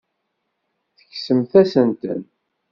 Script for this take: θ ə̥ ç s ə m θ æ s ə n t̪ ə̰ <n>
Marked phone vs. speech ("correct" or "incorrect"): correct